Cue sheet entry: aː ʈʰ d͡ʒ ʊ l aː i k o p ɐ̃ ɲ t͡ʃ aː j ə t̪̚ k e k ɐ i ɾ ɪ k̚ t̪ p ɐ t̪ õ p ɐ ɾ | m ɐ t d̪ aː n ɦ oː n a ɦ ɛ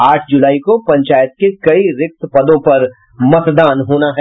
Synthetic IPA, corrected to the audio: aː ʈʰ d͡ʒ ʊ l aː i k o p ɐ̃ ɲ t͡ʃ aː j ə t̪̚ k e k ɐ i ɾ ɪ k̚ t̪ p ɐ d̪ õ p ɐ ɾ | m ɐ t d̪ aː n ɦ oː n a ɦ ɛ